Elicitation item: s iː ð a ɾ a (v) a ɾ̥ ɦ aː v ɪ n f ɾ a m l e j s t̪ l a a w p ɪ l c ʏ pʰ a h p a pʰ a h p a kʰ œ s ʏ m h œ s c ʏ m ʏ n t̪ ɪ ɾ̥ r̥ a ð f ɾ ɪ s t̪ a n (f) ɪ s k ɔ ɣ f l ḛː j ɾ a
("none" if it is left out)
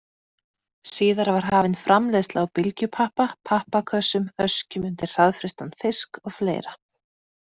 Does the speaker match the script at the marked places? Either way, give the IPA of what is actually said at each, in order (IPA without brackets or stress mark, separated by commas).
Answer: v, f